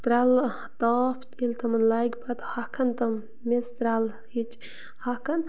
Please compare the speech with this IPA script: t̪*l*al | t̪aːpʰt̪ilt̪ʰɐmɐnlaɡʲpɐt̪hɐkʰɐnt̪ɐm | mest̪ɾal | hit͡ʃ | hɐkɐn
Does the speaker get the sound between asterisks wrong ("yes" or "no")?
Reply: yes